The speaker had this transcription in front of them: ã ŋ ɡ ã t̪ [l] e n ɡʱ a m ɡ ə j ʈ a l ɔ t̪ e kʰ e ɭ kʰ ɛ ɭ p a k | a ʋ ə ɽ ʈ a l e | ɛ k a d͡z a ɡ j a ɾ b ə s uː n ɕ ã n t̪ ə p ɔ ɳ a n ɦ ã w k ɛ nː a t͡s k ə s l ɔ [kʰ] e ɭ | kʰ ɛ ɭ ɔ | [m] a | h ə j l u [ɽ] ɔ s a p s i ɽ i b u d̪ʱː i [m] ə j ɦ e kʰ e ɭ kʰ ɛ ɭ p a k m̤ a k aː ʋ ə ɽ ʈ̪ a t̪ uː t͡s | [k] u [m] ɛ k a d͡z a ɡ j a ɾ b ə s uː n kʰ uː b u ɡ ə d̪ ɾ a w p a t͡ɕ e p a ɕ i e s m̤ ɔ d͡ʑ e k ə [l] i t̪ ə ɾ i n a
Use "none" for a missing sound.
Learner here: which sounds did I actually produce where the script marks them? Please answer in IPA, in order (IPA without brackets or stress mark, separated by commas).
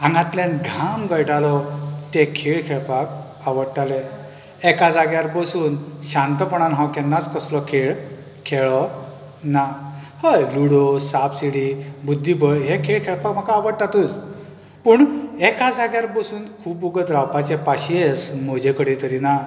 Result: l, kʰ, n, ɽ, b, p, ɳ, ɽ